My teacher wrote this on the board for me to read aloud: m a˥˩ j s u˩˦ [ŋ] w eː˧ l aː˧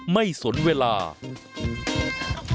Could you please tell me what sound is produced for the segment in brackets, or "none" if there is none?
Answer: n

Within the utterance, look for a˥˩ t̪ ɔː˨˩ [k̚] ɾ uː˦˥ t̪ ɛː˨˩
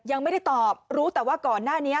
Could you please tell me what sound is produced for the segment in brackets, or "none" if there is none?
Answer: p̚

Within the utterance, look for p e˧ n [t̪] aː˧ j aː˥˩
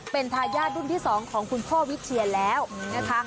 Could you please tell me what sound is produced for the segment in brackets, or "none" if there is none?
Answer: t̪ʰ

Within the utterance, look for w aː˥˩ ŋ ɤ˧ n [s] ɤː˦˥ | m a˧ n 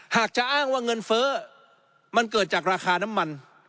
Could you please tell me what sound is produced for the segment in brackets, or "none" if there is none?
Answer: f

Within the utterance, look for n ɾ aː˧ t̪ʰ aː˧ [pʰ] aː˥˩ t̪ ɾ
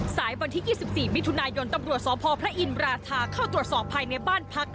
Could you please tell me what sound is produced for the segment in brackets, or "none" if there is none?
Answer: kʰ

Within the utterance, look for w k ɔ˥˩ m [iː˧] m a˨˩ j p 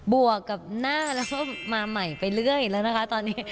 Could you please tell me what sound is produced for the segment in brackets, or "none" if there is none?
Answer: aː˧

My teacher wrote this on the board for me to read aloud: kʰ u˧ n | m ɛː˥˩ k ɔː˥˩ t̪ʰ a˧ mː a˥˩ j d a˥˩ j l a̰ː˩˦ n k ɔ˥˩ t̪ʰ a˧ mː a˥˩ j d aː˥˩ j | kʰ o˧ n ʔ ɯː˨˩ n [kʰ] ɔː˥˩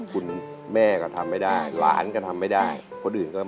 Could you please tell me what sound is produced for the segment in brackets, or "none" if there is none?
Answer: k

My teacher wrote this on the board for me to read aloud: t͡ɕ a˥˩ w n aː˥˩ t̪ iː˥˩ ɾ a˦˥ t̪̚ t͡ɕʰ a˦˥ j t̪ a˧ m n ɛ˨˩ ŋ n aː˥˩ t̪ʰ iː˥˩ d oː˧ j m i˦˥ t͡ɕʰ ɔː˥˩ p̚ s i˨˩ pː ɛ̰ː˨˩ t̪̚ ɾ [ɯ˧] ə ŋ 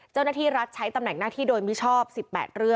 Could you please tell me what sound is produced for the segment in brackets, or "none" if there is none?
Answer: ɯ˥˩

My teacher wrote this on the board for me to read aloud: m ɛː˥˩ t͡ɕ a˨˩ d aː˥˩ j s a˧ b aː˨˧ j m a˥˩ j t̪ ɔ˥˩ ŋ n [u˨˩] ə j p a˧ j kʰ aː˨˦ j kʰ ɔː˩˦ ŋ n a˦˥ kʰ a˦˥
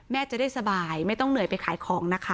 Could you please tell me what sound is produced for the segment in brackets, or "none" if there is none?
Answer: ɯ˨˩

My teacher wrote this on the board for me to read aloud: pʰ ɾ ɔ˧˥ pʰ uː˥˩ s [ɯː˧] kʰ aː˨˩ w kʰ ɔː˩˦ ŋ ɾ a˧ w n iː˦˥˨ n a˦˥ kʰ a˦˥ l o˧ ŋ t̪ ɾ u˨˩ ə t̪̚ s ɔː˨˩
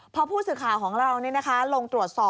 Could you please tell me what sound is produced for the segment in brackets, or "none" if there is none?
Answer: ɯː˨˩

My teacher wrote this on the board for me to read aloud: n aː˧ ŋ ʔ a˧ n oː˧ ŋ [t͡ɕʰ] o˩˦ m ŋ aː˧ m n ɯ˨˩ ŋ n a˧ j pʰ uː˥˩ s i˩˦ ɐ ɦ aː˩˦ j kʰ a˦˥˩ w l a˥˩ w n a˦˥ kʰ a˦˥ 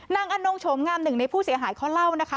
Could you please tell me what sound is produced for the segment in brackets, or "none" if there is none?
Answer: t͡ɕʰ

